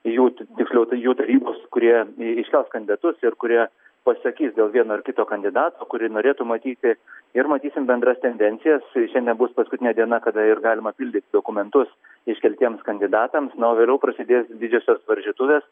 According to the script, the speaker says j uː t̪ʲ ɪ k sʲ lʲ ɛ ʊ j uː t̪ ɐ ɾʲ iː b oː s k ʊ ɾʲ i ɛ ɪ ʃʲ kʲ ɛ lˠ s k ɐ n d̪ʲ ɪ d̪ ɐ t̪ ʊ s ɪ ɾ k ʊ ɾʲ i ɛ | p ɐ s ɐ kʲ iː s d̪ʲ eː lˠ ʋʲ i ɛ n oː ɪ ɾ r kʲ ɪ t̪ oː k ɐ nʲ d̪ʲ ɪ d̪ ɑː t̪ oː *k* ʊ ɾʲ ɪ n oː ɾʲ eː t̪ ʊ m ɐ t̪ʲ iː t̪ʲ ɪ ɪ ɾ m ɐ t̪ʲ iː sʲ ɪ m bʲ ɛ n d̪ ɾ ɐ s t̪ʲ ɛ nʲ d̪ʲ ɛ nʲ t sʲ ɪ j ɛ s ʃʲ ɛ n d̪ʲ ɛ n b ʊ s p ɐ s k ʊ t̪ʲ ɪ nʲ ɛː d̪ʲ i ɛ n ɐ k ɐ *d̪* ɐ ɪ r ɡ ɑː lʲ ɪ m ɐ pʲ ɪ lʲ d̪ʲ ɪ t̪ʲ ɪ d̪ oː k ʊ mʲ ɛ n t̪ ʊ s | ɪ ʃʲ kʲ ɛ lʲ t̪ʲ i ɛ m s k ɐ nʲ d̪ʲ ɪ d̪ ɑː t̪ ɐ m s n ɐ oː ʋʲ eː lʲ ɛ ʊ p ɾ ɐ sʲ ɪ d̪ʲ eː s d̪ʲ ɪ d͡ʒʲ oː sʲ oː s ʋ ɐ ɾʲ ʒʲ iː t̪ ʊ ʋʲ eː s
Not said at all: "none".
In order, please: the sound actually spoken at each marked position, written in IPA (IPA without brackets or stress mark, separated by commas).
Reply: k, d̪